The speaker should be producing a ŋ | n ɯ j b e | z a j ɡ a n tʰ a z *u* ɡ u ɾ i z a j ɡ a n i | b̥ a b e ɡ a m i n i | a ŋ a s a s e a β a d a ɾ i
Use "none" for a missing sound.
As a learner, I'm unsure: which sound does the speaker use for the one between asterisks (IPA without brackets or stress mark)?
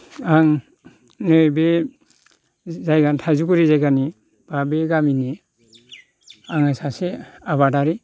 u